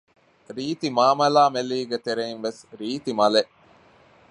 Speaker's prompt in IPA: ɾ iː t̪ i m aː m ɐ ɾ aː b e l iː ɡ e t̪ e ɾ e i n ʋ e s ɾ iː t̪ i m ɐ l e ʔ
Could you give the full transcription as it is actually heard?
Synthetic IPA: ɾ iː t̪ i m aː m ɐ l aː m e l iː ɡ e t̪ e ɾ e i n ʋ e s ɾ iː t̪ i m ɐ l e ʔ